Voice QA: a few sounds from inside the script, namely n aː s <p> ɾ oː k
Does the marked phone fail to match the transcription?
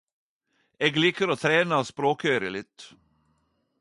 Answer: no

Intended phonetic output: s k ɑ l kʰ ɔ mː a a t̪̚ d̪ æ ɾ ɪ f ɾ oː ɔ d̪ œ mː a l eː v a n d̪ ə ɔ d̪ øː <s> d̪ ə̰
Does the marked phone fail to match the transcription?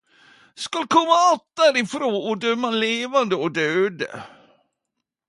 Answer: yes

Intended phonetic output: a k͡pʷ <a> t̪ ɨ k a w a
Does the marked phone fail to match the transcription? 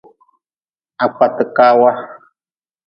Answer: no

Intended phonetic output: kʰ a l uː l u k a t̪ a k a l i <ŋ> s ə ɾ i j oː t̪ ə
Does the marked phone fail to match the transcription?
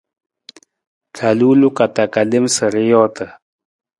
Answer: yes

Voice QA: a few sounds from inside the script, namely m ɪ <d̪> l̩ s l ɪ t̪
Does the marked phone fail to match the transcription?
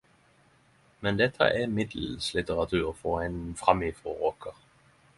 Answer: no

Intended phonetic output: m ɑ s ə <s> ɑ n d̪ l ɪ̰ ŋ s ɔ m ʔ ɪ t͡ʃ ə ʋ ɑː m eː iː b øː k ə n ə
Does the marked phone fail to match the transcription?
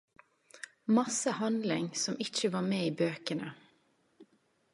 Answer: yes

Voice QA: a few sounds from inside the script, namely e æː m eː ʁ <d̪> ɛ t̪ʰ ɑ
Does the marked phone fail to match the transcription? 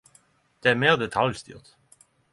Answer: no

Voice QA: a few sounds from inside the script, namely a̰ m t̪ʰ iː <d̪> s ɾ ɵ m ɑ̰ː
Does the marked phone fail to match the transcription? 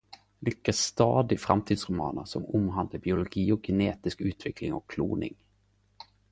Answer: no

